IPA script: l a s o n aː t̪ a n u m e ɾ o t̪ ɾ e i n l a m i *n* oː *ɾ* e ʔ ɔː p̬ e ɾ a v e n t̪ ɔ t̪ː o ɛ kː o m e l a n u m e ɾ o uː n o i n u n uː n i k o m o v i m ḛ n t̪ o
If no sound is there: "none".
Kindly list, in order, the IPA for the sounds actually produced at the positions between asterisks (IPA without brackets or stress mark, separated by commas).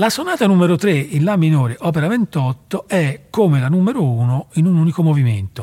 n, ɾ